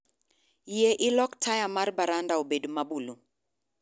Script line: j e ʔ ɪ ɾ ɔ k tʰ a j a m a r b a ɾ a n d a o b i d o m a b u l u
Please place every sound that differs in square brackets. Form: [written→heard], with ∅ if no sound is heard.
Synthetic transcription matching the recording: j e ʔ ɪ [ɾ→l] ɔ k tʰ a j a m a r b a ɾ a n d a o b [i→e] d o m a b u l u